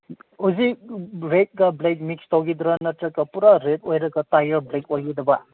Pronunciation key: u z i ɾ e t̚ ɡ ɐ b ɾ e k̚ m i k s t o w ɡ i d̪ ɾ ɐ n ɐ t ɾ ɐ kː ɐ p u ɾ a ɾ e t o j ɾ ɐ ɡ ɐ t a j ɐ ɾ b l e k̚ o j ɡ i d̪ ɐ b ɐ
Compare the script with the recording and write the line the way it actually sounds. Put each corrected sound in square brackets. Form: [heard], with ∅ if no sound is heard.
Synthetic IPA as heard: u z i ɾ e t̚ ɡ ɐ b [l] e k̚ m i k s t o w ɡ i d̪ ɾ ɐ n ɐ t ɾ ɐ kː ɐ p u ɾ a ɾ e t o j ɾ ɐ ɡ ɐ t a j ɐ ɾ b l e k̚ o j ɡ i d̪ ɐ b ɐ